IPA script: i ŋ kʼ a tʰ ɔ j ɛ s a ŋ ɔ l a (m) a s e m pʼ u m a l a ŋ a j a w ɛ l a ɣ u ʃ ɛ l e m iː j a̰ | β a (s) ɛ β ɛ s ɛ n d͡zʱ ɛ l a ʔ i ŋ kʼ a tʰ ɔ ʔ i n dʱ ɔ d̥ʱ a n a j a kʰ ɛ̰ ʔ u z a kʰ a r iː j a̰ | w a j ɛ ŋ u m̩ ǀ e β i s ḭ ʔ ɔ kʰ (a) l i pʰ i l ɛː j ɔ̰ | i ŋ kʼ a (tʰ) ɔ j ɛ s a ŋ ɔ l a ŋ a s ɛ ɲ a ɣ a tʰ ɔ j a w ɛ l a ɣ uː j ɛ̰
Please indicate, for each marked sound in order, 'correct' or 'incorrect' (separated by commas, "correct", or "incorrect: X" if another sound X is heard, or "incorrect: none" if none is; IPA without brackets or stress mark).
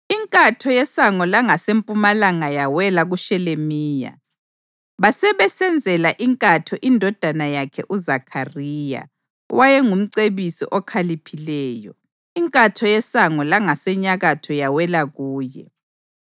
incorrect: ŋ, correct, correct, correct